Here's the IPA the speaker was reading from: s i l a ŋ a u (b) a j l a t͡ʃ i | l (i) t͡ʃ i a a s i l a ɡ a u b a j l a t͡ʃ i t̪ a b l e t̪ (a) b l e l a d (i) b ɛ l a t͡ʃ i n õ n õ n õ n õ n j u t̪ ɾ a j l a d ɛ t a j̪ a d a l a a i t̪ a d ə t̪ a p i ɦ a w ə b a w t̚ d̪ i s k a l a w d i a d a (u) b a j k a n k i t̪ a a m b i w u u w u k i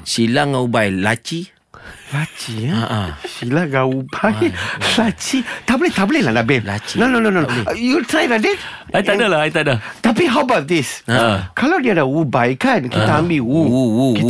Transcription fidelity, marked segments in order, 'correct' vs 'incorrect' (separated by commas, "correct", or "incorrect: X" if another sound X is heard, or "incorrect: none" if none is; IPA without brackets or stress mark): correct, incorrect: a, correct, incorrect: a, correct